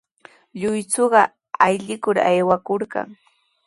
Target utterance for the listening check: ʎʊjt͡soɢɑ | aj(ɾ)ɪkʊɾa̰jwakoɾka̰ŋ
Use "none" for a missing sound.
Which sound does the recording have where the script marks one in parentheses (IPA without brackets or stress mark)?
ʎ